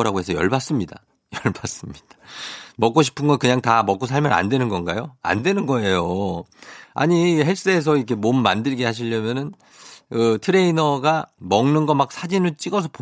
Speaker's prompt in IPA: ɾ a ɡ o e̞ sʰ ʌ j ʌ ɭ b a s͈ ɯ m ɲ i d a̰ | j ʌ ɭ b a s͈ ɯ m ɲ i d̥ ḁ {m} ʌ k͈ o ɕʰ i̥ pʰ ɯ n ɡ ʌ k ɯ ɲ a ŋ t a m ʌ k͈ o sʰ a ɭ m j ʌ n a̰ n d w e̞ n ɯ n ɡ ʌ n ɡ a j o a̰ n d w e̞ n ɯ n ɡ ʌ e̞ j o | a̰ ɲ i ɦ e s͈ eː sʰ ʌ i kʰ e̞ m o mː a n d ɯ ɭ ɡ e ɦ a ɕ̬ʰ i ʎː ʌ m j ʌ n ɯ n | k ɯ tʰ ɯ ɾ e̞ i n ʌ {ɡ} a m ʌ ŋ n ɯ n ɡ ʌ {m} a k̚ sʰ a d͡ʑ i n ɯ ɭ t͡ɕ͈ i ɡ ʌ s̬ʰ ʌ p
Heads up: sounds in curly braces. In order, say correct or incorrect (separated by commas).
correct, correct, correct